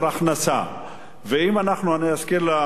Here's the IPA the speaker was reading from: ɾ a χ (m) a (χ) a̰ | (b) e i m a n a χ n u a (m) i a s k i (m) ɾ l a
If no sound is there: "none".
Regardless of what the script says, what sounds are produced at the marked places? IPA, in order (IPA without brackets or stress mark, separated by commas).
n, s, v, n, none